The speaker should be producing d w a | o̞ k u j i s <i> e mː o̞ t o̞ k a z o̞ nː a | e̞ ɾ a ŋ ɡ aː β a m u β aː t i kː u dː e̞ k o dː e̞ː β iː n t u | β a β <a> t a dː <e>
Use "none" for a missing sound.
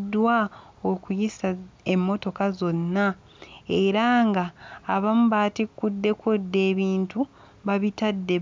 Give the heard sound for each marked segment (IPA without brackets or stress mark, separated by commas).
a, i, e